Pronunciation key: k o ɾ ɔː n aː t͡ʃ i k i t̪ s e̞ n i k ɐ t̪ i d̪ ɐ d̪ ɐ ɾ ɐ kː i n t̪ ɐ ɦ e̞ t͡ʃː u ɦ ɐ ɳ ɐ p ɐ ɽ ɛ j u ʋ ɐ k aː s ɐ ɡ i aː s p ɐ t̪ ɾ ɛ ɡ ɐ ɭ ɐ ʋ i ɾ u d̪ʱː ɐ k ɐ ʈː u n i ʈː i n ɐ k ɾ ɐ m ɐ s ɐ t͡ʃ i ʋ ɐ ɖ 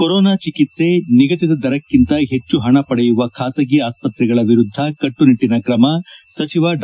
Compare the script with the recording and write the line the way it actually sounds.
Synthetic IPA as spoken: k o ɾ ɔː n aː t͡ʃ i k i t̪ s e̞ n i ɡ ɐ t̪ i d̪ ɐ d̪ ɐ ɾ ɐ kː i n t̪ ɐ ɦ e̞ t͡ʃː u ɦ ɐ ɳ ɐ p ɐ ɽ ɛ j u ʋ ɐ kʰ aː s ɐ ɡ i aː s p ɐ t̪ ɾ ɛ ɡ ɐ ɭ ɐ ʋ i ɾ u d̪ʱː ɐ k ɐ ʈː u n i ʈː i n ɐ k ɾ ɐ m ɐ s ɐ t͡ʃ i ʋ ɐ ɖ